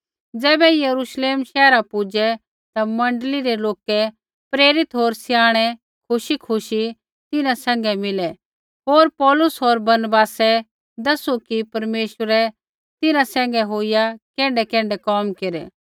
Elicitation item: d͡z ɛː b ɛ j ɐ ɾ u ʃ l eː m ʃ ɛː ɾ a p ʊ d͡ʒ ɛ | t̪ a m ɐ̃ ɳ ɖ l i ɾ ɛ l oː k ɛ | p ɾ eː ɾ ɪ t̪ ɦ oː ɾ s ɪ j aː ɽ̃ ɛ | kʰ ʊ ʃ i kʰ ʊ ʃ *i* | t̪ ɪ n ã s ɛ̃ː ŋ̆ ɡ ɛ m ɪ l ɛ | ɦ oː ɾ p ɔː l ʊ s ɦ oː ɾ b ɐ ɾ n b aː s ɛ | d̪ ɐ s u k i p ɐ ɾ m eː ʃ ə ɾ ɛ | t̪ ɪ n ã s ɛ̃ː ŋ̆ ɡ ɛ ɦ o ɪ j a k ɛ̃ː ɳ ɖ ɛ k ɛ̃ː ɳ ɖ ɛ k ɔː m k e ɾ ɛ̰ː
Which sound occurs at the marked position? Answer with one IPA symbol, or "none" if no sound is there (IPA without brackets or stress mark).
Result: i